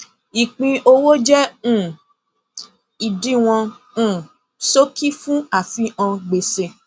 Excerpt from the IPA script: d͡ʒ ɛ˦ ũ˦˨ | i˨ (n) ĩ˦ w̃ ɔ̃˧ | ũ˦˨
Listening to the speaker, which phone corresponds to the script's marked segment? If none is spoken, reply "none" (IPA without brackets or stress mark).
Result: d